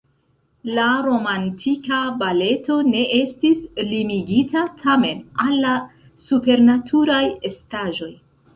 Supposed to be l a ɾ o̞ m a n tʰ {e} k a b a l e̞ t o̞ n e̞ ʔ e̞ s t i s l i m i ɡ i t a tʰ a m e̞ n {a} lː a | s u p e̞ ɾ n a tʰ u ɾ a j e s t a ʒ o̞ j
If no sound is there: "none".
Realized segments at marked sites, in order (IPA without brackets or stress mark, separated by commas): i, a